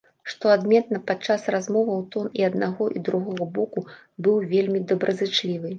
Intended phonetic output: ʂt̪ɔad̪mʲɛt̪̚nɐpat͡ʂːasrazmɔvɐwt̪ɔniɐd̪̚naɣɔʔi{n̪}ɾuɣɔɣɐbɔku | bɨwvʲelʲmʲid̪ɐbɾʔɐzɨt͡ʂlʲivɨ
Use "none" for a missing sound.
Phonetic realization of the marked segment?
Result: d̪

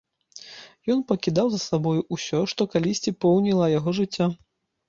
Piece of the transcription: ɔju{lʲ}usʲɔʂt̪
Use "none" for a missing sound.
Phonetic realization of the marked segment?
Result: none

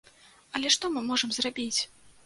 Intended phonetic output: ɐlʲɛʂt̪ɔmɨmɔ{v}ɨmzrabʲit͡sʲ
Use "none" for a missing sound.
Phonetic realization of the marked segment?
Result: ʐ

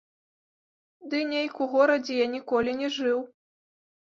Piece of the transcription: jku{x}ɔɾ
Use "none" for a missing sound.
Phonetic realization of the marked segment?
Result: ɣ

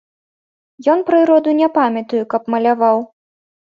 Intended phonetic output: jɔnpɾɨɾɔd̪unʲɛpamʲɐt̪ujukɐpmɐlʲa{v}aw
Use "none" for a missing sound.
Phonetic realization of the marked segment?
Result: v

